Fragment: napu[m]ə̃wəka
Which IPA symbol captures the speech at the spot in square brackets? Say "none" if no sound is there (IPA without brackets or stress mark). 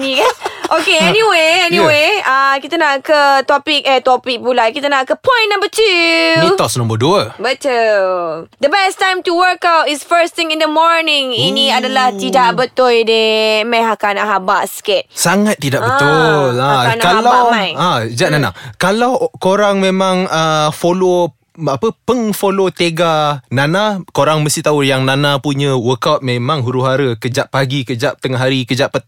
ɲ